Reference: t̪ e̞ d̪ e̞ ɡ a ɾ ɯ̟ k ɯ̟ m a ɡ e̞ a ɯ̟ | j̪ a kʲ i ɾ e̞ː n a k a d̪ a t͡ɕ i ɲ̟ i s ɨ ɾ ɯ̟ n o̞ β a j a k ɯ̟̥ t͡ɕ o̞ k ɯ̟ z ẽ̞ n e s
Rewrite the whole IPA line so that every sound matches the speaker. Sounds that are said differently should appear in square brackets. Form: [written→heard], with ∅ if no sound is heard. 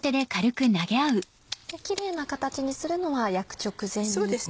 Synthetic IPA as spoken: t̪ e̞ d̪ e̞ [ɡ→k] a ɾ ɯ̟ k ɯ̟ [m→n] a ɡ e̞ a ɯ̟ | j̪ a kʲ i ɾ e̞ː n a k a [d̪→t̪] a t͡ɕ i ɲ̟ i s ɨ ɾ ɯ̟ n o̞ β a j a k ɯ̟̥ t͡ɕ o̞ k ɯ̟ z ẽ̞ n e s